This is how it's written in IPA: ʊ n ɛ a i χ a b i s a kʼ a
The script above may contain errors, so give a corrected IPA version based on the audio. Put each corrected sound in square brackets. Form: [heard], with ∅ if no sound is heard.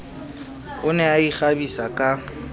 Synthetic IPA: ʊ n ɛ a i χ a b i s a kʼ a